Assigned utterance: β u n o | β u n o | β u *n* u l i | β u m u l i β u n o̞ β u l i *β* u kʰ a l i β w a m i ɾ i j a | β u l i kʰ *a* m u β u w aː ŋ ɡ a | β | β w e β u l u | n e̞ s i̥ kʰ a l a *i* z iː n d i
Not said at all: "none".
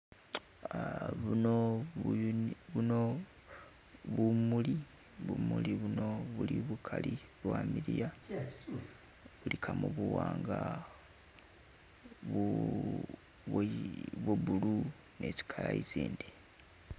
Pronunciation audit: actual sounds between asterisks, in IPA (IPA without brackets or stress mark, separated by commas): m, β, a, i